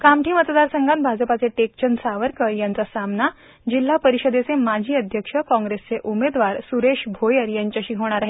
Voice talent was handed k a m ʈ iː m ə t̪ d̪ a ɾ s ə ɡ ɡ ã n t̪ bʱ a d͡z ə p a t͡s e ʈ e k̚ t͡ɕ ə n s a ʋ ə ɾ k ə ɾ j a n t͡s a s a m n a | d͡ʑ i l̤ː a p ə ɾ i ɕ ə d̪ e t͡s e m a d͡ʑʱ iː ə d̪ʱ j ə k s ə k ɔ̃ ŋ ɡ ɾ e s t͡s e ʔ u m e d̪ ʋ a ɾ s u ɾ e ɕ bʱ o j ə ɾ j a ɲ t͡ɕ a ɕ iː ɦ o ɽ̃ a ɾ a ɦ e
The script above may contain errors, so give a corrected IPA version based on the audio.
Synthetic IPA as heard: k a m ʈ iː m ə t̪ d̪ a ɾ s ə ŋ ɡ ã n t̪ bʱ a d͡z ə p a t͡s e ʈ e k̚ t͡ɕ ə n s a ʋ ə ɾ k ə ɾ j a n t͡s a s a m n a | d͡ʑ i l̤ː a p ə ɾ i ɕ ə d̪ e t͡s e m a d͡ʑʱ iː ə d̪ʱ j ə k ʂ ə k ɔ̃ ŋ ɡ ɾ e s t͡s e ʔ u m e d̪ ʋ a ɾ s u ɾ e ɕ bʱ o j ə ɾ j a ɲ t͡ɕ a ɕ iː ɦ o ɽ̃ a ɾ a ɦ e